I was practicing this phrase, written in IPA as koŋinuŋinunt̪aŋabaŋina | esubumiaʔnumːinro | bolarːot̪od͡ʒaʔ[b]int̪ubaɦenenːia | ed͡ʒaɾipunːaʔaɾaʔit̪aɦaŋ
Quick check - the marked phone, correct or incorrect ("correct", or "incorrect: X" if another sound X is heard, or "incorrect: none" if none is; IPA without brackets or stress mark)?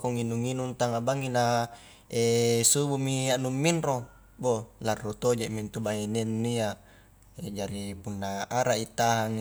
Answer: incorrect: m